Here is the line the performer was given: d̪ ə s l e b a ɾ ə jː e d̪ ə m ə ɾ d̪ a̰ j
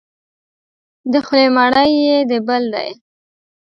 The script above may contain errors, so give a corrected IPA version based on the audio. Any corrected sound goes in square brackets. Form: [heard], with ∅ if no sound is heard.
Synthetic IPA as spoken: d̪ ə [x] l e [m] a [ɽ] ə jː e d̪ ə [b] ə [l] d̪ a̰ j